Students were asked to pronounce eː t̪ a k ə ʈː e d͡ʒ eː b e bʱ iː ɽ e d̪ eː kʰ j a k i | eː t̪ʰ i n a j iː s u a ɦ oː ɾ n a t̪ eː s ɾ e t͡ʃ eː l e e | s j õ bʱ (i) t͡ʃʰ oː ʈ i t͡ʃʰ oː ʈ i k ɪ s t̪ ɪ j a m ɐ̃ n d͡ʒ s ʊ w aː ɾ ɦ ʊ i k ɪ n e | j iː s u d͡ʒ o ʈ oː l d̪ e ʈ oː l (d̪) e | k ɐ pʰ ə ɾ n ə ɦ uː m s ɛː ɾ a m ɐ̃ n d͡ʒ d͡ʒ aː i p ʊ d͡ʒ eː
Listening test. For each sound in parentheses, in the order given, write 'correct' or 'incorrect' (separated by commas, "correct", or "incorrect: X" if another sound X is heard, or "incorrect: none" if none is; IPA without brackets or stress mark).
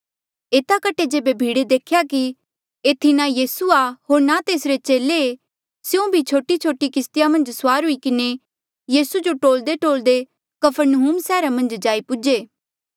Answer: correct, correct